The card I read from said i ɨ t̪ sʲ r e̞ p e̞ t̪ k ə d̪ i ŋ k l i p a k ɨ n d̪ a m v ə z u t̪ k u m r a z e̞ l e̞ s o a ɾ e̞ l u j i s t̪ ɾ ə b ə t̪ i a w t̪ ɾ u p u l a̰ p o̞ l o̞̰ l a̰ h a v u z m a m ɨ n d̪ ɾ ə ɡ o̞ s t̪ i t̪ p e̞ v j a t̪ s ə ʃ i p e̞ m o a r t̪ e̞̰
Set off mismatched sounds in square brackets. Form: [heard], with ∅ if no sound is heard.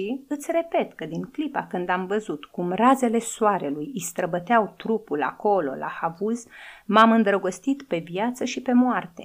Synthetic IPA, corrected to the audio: i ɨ t̪ sʲ r e̞ p e̞ t̪ k ə d̪ i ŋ k l i p a k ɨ n d̪ a m v ə z u t̪ k u m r a z e̞ l e̞ s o a ɾ e̞ l u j i s t̪ ɾ ə b ə t̪ [e] a w t̪ ɾ u p u l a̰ [k] o̞ l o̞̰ l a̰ h a v u z m a m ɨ n d̪ ɾ ə ɡ o̞ s t̪ i t̪ p e̞ v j a t̪ s ə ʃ i p e̞ m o a r t̪ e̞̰